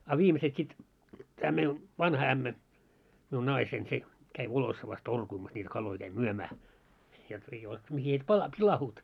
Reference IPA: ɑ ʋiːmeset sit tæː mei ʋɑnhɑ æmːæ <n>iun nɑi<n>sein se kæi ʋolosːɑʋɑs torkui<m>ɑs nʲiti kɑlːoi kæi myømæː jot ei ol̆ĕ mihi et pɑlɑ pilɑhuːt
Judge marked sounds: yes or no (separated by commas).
no, no, yes